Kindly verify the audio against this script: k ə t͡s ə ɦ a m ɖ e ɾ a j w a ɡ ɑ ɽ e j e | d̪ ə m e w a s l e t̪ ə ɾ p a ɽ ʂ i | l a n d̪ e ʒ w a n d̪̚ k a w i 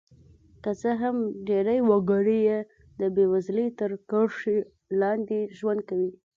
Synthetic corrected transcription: k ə t͡s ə ɦ a m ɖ e ɾ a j w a ɡ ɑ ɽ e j e | d̪ ə b e w a z l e t̪ ə ɾ k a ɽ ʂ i | l ɑ n d̪ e ʒ w a n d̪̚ k a w i